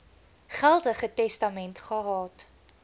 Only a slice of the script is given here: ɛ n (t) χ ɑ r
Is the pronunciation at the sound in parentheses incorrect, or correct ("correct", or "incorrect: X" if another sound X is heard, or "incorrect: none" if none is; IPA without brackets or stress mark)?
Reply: correct